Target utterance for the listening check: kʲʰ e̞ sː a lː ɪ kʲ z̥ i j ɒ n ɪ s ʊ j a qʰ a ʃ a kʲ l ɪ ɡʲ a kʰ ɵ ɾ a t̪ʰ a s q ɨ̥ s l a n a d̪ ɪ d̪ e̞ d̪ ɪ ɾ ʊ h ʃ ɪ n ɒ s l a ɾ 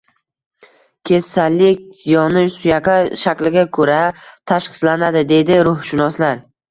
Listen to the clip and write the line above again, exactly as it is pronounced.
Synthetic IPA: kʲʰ e̞ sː a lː ɪ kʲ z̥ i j ɒ n ɪ s ʊ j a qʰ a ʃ a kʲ l ɪ ɡʲ a kʰ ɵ ɾ a t̪ʰ a ʃ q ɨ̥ s l a n a d̪ ɪ d̪ e̞ d̪ ɪ ɾ ʊ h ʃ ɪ n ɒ s l a ɾ